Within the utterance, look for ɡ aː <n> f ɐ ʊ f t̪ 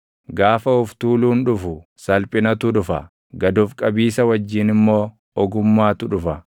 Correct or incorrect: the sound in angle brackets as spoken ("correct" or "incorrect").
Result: incorrect